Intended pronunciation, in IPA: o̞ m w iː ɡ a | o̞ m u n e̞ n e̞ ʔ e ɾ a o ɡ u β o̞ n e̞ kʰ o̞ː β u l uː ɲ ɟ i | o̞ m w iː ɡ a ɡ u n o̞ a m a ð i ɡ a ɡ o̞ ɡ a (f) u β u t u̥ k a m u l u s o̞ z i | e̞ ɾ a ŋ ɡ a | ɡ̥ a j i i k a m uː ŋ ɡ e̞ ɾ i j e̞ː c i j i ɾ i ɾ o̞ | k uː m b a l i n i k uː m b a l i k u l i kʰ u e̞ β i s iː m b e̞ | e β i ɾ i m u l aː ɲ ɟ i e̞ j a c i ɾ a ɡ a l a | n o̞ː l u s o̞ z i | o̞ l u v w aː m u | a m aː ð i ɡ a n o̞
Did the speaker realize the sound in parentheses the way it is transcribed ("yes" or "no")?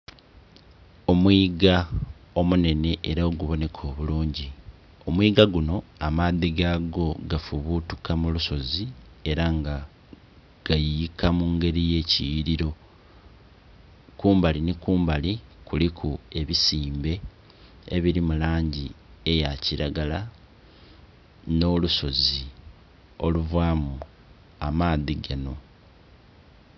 yes